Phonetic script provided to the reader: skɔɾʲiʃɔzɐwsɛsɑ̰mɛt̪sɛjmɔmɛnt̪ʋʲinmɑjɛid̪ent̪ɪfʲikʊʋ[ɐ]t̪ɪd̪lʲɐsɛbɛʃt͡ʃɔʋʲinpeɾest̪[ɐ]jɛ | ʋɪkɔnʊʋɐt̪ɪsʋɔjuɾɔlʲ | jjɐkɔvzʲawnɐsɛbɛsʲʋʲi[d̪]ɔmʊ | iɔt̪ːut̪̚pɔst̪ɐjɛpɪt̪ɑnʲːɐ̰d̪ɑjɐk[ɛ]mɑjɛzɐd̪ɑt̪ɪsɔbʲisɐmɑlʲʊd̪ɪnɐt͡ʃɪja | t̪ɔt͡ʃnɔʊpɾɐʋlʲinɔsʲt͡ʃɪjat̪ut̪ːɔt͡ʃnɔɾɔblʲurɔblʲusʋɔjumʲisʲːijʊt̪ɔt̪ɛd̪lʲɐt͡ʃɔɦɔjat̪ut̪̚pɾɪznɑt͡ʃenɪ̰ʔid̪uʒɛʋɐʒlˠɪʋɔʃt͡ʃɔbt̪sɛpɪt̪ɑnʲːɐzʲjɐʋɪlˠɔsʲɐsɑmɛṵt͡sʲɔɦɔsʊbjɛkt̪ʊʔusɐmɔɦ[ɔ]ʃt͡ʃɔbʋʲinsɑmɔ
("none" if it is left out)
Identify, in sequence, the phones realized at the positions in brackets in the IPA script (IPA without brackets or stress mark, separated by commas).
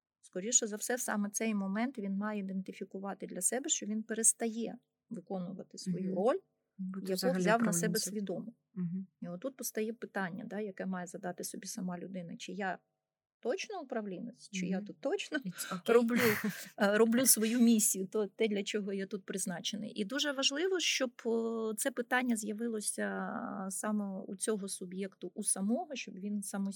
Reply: ɑ, ɐ, d̪, ɛ, ɔ